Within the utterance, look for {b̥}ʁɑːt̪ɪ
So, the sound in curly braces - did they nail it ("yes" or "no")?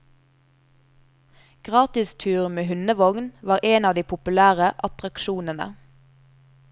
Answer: no